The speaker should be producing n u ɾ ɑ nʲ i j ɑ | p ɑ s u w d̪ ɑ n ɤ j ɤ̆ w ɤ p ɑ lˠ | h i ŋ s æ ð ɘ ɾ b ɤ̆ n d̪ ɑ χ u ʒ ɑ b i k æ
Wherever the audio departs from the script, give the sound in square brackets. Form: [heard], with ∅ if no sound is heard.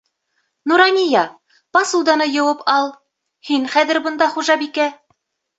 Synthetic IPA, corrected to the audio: n u ɾ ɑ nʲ i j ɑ | p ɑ s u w d̪ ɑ n ɤ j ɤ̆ w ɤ p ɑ lˠ | h i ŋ [χ] æ ð ɘ ɾ b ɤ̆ n d̪ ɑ χ u ʒ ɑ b i k æ